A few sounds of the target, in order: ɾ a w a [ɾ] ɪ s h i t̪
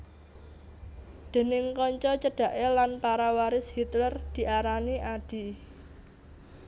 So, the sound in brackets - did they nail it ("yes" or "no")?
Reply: yes